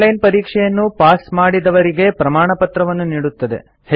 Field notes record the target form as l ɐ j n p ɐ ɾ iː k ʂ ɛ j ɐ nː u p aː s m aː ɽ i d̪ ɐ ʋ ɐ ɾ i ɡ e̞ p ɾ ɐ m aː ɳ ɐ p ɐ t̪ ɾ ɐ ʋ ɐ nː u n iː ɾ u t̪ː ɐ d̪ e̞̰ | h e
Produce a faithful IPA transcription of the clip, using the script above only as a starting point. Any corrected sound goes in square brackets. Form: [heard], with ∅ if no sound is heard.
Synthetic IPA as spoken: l ɐ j n p ɐ ɾ iː k ʂ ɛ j ɐ nː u p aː s m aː ɽ i d̪ ɐ ʋ ɐ ɾ i ɡ e̞ p ɾ ɐ m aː ɳ ɐ p ɐ t̪ ɾ ɐ ʋ ɐ nː u n iː [ɽ] u t̪ː ɐ d̪ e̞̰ | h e

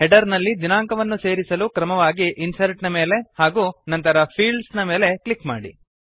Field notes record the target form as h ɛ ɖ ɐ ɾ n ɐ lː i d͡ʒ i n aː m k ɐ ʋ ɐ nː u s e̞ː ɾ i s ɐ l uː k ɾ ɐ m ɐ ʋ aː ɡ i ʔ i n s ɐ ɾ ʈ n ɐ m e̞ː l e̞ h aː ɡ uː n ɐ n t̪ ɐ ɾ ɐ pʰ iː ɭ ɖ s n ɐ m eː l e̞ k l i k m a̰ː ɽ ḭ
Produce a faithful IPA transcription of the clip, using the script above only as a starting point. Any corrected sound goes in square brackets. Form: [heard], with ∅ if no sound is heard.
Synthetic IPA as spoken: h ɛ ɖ ɐ ɾ n ɐ lː i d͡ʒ i n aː [ŋ] k ɐ ʋ ɐ nː u s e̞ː ɾ i s ɐ l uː k ɾ ɐ m ɐ ʋ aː ɡ i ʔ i n s ɐ ɾ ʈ n ɐ m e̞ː l e̞ h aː ɡ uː n ɐ n t̪ ɐ ɾ ɐ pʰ iː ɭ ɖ s n ɐ m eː l e̞ k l i k m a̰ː ɽ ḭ

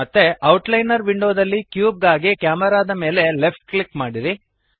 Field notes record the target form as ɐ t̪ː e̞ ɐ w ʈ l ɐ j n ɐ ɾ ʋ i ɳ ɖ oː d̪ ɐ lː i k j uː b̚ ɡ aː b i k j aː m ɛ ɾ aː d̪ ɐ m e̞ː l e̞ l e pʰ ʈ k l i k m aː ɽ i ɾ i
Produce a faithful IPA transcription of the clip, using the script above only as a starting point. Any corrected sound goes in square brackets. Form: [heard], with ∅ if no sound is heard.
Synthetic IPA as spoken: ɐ t̪ː e̞ ɐ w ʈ l ɐ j n ɐ ɾ ʋ i ɳ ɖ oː d̪ ɐ lː i k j uː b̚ ɡ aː [ɡ] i k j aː m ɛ ɾ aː d̪ ɐ m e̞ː l e̞ l e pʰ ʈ k l i k m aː ɽ i ɾ i

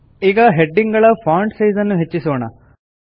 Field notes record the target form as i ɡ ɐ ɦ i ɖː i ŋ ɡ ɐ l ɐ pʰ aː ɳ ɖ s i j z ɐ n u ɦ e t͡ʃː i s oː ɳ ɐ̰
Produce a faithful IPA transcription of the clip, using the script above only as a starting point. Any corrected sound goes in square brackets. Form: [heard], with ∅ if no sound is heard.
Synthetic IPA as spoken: i ɡ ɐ ɦ [e] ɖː i ŋ ɡ ɐ [ɭ] ɐ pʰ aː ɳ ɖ s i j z ɐ [nː] u ɦ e t͡ʃː i s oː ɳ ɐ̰

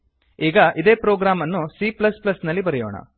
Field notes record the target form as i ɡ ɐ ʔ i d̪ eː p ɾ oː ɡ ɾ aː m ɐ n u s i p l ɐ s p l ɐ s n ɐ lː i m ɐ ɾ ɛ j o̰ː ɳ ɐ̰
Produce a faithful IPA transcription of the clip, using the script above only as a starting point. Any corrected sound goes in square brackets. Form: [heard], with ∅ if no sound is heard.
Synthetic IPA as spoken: [iː] ɡ ɐ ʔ i d̪ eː p ɾ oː ɡ ɾ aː m ɐ [nː] u s i p l ɐ s p l ɐ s n ɐ lː i [b] ɐ ɾ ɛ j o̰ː ɳ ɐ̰

